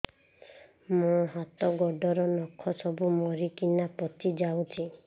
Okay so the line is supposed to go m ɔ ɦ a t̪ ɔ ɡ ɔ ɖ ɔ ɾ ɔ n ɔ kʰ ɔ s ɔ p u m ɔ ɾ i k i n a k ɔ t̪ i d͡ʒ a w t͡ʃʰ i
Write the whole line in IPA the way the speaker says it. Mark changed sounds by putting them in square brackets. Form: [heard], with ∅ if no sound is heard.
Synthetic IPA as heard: m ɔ ɦ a t̪ ɔ ɡ ɔ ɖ ɔ ɾ ɔ n ɔ kʰ ɔ s ɔ [b] u m ɔ ɾ i k i n a [p] ɔ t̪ i d͡ʒ a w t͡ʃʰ i